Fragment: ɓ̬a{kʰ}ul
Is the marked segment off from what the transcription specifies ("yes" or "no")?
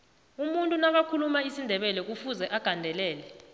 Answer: no